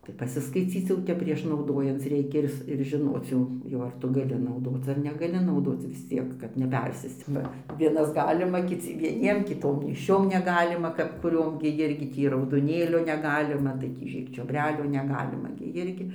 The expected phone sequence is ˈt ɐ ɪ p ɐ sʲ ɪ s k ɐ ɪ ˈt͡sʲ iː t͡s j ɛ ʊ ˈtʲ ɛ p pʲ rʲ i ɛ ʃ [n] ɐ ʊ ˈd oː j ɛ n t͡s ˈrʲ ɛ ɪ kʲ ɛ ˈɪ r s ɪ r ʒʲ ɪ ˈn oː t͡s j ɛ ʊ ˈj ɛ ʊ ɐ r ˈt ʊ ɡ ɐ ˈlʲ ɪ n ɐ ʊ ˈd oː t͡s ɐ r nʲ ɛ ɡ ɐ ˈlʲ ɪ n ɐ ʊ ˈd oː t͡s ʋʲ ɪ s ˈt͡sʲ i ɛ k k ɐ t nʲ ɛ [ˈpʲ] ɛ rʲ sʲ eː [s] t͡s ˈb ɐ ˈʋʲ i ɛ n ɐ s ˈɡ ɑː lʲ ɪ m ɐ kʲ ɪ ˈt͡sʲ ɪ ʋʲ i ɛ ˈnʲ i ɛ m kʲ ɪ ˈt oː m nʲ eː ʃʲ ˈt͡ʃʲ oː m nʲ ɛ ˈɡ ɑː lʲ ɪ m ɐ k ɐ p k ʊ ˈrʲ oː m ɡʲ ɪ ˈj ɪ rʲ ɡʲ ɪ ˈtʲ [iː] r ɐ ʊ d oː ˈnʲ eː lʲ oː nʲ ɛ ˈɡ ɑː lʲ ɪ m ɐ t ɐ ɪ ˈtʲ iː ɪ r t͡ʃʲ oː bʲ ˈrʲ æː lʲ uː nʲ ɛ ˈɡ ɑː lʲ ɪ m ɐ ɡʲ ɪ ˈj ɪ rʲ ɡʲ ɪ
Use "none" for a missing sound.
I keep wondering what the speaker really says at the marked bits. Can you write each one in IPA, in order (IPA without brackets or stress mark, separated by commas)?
n, pʲ, s, iː